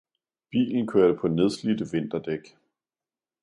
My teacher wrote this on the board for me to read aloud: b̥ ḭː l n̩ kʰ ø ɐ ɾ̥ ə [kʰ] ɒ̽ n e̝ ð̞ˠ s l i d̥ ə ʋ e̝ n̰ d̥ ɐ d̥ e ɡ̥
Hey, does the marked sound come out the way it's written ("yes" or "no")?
no